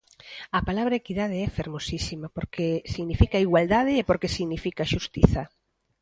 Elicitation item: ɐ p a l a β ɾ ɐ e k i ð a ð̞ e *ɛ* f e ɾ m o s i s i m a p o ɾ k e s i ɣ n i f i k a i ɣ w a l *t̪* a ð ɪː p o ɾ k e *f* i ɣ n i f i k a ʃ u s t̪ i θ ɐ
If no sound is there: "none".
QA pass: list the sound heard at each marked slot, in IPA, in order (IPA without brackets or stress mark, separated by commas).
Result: ɛ, d̪, s